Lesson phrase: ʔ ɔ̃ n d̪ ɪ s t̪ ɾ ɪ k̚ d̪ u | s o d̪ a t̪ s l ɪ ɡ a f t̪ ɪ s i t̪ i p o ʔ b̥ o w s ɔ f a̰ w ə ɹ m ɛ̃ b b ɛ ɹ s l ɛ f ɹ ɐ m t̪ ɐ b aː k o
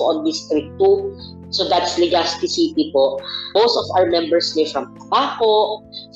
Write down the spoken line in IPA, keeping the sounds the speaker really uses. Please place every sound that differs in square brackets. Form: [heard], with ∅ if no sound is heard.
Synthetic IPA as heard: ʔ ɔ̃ n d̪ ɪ s t̪ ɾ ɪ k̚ [t̪] u | s o d̪ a t̪ s l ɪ ɡ a [s] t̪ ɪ s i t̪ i p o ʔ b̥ o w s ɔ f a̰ w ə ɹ m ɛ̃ [m] b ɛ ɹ s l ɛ f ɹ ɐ m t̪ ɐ b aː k o